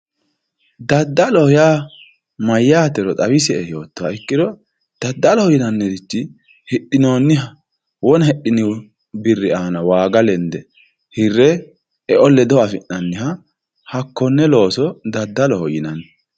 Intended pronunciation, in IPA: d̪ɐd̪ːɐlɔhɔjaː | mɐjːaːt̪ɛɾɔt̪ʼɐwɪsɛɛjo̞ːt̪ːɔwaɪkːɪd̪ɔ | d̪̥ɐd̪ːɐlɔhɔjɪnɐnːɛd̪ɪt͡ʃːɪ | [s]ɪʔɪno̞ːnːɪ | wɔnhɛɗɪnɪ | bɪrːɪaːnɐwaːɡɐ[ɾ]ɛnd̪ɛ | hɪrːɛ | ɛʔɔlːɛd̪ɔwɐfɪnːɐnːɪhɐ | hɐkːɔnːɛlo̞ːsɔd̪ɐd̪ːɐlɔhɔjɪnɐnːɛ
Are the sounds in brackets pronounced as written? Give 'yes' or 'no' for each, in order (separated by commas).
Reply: no, no